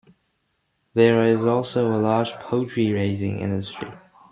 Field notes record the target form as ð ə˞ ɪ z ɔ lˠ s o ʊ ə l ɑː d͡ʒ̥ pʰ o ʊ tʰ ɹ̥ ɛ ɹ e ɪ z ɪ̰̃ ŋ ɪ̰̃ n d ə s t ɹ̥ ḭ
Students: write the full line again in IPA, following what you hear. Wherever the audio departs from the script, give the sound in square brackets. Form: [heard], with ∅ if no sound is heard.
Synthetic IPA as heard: ð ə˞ ɪ z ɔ lˠ s o ʊ ə l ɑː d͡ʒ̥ pʰ o ʊ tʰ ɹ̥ [i] ɹ e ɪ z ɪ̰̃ ŋ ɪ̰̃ n d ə s t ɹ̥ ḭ